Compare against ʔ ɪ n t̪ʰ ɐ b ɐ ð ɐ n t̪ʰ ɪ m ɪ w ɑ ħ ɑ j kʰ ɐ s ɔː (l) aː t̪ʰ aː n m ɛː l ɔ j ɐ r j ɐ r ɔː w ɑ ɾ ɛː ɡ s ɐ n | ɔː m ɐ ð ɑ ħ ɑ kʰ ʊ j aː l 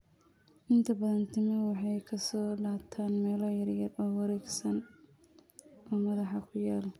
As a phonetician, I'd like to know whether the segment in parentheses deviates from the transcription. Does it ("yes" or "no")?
no